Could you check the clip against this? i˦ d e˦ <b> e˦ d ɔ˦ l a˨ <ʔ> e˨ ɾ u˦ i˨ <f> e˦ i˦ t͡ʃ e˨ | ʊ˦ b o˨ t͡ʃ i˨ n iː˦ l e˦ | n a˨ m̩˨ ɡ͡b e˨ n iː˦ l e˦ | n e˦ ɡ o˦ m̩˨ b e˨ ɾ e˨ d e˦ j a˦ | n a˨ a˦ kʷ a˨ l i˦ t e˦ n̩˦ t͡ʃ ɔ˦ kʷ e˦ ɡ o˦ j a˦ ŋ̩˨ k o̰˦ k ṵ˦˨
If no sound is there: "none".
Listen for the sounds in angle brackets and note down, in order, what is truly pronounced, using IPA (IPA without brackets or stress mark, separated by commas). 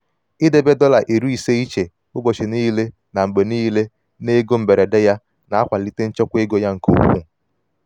b, ʔ, s